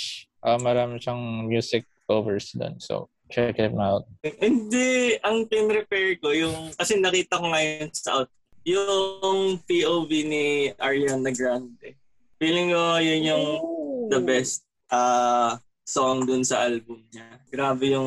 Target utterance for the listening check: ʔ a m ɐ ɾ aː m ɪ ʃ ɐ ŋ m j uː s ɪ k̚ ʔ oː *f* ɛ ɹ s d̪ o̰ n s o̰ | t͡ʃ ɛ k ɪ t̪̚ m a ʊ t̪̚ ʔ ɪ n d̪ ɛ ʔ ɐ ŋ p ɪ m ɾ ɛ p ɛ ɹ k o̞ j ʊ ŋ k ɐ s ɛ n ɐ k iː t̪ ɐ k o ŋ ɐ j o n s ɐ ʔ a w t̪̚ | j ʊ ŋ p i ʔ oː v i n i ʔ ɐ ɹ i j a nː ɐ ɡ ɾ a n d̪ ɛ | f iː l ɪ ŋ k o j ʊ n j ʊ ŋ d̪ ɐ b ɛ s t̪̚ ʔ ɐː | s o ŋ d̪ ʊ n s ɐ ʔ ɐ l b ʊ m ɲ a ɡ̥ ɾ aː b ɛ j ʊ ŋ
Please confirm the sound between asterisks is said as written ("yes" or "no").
no